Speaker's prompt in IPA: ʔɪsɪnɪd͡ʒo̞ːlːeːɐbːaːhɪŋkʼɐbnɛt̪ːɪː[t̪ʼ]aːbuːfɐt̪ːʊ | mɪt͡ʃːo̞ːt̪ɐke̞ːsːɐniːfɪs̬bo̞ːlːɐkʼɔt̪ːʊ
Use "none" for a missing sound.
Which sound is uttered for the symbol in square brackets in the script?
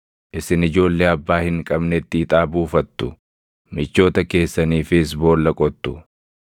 t̪ʼ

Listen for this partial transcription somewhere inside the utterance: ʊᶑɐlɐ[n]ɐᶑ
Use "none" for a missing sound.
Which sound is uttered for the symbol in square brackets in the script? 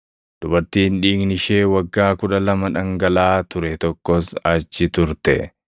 m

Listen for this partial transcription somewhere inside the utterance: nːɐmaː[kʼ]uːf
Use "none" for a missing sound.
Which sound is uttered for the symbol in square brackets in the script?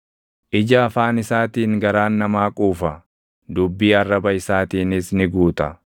kʼ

